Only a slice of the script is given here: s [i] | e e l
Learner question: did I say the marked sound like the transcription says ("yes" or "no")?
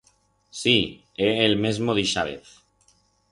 yes